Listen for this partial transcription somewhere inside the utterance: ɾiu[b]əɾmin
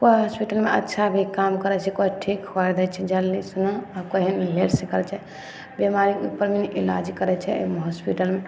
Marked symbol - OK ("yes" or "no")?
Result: no